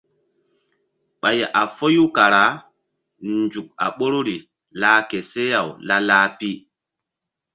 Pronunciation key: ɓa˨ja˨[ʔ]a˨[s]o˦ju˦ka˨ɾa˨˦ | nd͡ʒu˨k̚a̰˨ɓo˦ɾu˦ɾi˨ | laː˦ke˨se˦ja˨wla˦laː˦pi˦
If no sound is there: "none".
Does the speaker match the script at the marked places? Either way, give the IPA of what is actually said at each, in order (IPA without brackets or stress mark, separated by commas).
ʔ, f